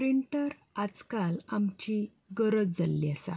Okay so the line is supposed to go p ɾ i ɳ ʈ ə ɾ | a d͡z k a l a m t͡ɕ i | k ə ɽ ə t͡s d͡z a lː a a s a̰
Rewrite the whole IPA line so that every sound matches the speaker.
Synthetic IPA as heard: p ɾ i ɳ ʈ ə ɾ | a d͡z k a l a m t͡ɕ i | ɡ ə ɾ ə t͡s d͡z a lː i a s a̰